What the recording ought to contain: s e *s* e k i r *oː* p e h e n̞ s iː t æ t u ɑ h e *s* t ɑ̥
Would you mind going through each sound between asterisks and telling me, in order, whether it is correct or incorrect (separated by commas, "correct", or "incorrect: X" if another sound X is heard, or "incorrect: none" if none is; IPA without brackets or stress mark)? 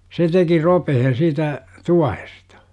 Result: incorrect: t, incorrect: o, correct